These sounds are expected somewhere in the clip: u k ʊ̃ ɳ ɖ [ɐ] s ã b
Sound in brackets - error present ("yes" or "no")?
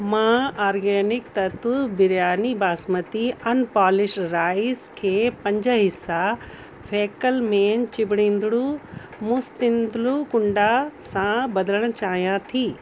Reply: yes